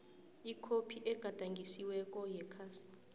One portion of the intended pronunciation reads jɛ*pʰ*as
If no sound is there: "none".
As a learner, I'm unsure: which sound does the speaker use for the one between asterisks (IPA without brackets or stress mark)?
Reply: kʰ